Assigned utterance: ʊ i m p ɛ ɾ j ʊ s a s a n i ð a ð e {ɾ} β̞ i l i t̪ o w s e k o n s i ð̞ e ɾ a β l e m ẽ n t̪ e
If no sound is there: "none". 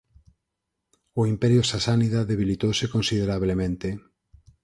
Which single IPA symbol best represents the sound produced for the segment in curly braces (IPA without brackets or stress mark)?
none